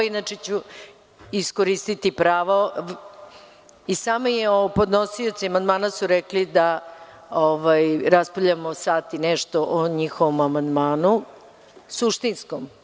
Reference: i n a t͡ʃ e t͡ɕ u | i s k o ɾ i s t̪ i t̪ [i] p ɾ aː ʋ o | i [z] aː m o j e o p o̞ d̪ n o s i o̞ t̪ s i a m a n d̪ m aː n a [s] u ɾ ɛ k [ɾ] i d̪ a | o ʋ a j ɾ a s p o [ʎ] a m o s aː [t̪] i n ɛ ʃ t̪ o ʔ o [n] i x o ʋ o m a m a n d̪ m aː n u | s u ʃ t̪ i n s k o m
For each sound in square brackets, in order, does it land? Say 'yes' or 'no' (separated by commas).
yes, no, yes, no, yes, yes, no